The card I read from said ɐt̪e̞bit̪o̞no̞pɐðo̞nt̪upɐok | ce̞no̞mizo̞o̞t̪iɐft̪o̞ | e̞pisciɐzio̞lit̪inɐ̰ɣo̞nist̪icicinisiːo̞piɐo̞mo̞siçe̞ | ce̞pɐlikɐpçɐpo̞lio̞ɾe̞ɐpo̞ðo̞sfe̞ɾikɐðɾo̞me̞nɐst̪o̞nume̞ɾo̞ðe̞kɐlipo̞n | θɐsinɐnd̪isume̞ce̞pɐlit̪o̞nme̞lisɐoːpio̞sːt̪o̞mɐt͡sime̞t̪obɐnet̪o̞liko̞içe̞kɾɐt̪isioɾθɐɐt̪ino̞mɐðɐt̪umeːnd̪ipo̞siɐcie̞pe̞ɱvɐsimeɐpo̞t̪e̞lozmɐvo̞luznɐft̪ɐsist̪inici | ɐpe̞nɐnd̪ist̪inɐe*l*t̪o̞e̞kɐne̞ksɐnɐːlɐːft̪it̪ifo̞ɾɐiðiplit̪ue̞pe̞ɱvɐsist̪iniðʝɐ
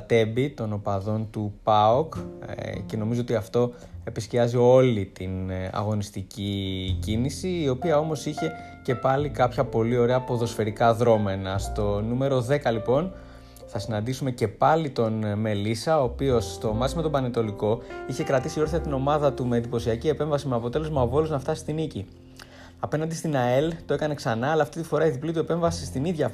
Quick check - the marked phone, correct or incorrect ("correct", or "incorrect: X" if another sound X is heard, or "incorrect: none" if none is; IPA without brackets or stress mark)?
correct